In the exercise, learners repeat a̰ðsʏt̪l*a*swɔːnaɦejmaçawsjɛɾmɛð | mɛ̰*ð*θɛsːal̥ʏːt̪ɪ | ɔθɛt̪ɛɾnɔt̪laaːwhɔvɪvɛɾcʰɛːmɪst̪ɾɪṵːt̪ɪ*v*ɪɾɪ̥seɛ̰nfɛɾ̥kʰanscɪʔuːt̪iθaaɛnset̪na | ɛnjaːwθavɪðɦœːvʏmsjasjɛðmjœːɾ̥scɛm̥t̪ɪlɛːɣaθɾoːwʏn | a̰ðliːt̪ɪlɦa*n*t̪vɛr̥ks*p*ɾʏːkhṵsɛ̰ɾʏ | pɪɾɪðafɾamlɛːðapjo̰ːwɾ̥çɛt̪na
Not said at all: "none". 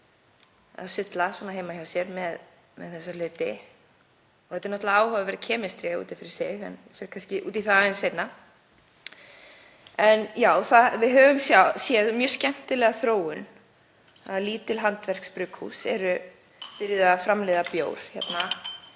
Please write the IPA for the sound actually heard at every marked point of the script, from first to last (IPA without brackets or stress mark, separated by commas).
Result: a, ð, f, n, p